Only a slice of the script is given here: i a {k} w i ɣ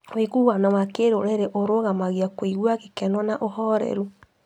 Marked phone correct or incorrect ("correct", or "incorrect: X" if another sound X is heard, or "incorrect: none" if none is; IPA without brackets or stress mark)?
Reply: correct